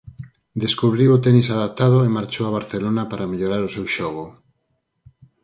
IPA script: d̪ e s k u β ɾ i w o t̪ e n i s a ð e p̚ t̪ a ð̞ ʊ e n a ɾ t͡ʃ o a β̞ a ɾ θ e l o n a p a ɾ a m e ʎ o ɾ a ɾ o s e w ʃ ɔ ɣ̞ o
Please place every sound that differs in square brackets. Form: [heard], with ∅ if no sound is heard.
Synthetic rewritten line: d̪ e s k u β ɾ i w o t̪ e n i s a ð [a] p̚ t̪ a ð̞ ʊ e [m] a ɾ t͡ʃ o a β̞ a ɾ θ e l o n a p a ɾ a m e ʎ o ɾ a ɾ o s e w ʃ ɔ ɣ̞ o